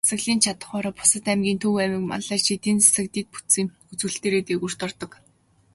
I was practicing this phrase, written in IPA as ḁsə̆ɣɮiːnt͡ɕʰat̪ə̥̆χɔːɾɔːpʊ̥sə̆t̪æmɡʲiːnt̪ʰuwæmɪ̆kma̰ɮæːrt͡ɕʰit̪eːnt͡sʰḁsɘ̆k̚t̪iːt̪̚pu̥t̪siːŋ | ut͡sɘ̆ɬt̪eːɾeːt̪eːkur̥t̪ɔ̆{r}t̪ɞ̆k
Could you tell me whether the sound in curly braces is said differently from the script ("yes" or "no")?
no